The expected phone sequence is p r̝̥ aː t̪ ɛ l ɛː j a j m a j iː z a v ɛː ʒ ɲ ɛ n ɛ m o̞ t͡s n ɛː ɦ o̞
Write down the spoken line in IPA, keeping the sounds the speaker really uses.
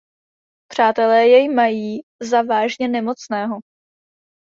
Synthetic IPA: p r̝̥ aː t̪ ɛ l ɛː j ɛ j m a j iː z a v aː ʒ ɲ ɛ n ɛ m o̞ t͡s n ɛː ɦ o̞